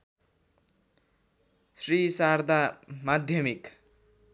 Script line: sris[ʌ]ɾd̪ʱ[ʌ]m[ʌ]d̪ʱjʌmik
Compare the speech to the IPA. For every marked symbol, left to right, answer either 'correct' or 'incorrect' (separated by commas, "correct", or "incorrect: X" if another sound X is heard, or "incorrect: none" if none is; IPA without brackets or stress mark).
incorrect: a, incorrect: a, incorrect: a